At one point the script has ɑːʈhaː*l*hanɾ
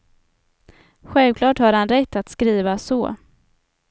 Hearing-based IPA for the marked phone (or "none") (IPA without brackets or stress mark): ɾ